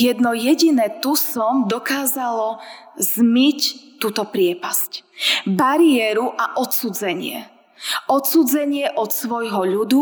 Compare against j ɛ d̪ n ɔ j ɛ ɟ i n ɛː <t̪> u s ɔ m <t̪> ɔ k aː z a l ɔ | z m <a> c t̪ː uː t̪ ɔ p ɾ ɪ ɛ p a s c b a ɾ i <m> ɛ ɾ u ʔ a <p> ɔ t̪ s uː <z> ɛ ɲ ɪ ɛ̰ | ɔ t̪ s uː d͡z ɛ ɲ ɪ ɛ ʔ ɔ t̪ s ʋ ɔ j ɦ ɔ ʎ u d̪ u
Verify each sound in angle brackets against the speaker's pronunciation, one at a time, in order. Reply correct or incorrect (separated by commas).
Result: correct, incorrect, incorrect, incorrect, incorrect, incorrect